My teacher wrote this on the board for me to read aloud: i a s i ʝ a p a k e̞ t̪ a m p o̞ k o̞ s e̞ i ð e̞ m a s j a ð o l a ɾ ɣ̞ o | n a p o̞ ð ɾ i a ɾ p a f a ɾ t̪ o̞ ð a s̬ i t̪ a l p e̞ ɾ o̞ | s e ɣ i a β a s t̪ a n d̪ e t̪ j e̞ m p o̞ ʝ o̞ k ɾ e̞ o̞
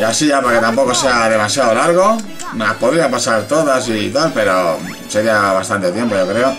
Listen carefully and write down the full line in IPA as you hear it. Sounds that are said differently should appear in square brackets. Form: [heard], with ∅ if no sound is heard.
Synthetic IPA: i a s i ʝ a p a k e̞ t̪ a m p o̞ k o̞ s e̞ [a] ð e̞ m a s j a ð o l a ɾ ɣ̞ o | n a p o̞ ð ɾ i a [∅] p a [s] a ɾ t̪ o̞ ð a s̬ i t̪ a l p e̞ ɾ o̞ | s e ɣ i a β a s t̪ a n [t̪] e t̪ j e̞ m p o̞ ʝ o̞ k ɾ e̞ o̞